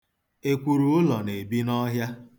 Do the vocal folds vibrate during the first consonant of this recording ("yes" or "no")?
no